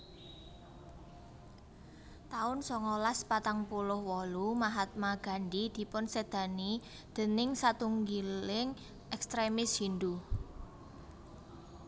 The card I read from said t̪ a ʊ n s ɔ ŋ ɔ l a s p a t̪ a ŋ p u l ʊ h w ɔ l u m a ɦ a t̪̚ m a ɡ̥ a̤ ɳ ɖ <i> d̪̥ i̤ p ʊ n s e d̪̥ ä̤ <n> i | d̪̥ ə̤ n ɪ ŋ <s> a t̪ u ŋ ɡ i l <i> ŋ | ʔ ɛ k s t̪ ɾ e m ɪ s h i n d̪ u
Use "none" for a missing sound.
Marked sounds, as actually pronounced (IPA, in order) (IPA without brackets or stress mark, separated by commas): i, n, s, ɪ